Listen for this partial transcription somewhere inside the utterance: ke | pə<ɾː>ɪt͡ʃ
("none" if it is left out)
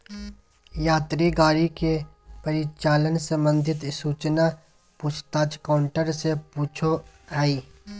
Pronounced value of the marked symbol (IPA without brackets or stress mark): ɾ